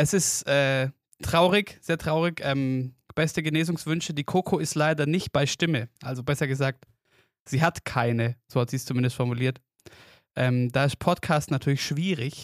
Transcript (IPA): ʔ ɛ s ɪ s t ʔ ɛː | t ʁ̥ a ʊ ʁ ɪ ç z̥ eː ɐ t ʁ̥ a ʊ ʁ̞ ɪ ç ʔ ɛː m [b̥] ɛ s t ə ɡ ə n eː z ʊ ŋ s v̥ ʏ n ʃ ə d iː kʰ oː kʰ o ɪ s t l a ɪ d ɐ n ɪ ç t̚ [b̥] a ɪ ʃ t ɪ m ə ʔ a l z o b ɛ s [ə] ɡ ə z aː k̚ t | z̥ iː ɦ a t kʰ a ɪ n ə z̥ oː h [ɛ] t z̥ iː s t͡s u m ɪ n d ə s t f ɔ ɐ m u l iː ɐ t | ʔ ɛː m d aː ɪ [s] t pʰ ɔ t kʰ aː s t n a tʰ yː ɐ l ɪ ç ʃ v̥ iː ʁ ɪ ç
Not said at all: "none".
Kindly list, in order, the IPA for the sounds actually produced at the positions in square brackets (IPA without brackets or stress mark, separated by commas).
b̥, b̥, ɐ, a, s